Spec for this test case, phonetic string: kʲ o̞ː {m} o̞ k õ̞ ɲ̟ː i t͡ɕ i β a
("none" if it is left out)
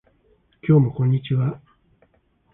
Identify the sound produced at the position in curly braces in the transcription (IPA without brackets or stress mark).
m